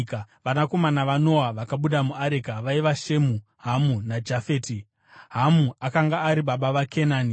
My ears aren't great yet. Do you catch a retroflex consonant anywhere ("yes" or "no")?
no